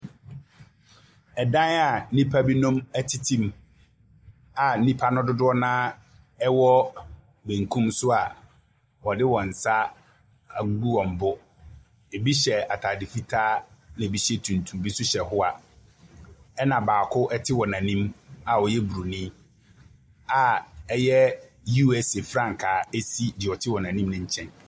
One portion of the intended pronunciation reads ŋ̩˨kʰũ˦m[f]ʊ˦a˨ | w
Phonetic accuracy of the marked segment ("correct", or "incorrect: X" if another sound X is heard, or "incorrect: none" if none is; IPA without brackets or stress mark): incorrect: s